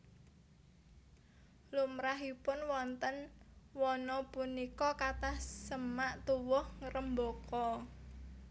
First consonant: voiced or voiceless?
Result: voiced